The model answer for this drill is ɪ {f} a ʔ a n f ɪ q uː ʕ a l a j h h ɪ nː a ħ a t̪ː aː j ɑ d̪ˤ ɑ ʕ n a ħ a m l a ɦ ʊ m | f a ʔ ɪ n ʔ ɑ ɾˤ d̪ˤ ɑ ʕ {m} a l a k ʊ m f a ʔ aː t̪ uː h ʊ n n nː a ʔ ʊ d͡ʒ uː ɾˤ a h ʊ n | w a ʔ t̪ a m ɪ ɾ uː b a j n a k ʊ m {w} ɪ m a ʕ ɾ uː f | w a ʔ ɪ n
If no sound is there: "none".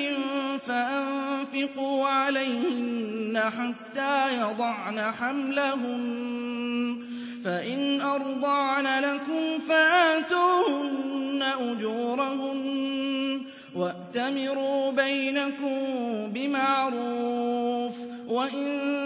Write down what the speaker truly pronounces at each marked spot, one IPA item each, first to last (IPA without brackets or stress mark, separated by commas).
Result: f, n, b